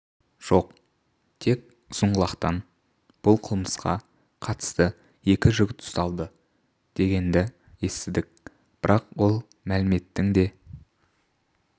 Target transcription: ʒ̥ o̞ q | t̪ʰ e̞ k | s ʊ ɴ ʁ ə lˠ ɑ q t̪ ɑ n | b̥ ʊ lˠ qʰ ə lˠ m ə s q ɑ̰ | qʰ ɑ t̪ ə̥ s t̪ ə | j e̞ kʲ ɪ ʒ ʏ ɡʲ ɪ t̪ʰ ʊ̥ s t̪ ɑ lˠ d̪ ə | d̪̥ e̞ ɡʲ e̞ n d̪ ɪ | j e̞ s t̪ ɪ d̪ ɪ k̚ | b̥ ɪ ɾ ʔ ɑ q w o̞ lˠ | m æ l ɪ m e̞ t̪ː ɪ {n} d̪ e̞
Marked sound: incorrect: ŋ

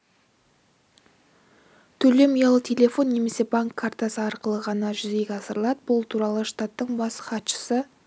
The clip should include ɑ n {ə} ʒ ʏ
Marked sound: incorrect: ɑ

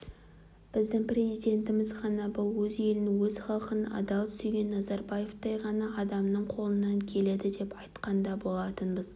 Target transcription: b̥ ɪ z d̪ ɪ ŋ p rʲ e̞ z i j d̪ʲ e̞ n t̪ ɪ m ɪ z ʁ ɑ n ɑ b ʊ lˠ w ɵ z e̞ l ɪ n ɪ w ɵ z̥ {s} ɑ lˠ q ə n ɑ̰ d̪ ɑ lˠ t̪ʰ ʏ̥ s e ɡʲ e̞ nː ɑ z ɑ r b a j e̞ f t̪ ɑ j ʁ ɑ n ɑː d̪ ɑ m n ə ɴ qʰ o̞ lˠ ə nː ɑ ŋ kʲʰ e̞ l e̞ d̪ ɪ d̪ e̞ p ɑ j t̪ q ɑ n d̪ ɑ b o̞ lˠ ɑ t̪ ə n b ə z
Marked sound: incorrect: χ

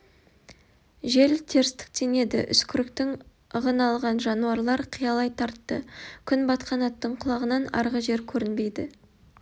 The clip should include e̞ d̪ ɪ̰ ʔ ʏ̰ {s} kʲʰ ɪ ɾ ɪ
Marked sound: correct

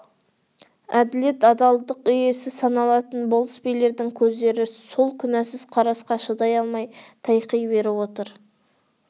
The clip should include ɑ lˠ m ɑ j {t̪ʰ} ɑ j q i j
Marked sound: correct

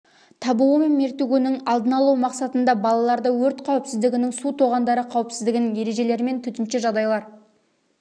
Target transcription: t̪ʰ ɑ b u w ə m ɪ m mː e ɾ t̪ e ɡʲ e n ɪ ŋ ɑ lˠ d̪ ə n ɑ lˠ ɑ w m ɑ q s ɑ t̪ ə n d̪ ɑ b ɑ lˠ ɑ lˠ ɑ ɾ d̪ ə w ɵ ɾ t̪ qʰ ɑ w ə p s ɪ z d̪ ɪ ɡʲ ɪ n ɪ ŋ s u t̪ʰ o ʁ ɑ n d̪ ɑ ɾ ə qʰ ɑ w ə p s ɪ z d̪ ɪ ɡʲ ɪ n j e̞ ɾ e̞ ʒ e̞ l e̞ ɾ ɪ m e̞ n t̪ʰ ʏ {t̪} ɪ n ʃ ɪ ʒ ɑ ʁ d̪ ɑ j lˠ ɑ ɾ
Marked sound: correct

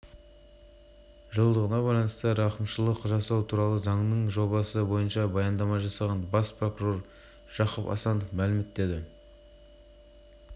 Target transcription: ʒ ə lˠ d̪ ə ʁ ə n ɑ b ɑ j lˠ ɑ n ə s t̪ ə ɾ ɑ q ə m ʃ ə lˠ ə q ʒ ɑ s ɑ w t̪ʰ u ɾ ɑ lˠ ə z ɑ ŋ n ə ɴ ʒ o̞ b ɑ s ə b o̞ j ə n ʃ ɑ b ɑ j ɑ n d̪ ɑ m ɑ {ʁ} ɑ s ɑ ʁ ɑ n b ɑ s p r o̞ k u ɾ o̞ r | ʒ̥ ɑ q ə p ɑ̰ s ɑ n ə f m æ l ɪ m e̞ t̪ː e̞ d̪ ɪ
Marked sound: incorrect: ʒ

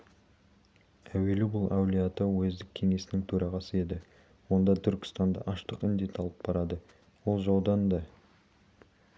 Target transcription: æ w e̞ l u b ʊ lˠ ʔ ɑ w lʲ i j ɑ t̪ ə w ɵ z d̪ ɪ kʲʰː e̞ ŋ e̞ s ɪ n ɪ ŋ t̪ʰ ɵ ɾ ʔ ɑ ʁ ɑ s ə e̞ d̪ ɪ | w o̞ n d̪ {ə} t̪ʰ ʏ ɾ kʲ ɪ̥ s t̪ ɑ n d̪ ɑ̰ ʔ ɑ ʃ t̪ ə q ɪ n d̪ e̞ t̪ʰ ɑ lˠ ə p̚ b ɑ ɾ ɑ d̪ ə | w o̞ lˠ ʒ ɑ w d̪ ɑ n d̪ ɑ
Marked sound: incorrect: ɑ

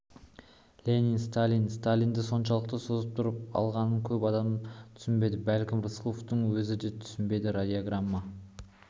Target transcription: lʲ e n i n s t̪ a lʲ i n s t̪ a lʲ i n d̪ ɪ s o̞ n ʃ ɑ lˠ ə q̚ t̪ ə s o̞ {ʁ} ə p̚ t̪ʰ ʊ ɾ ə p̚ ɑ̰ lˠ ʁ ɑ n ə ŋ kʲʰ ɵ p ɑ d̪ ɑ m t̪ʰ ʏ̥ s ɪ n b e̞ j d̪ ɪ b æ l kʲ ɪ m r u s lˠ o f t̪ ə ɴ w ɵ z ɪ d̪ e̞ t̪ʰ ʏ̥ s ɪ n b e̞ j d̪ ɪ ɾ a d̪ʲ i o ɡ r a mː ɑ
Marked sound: incorrect: z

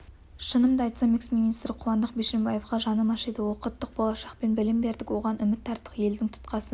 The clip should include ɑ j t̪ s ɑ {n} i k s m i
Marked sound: incorrect: m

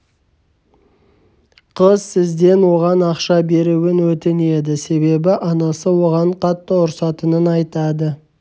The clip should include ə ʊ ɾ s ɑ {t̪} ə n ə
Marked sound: correct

